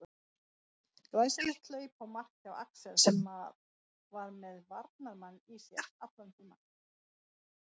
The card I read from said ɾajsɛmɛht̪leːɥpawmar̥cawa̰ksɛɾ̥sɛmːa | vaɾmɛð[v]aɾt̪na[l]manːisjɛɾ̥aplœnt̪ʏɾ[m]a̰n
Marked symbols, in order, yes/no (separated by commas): yes, no, yes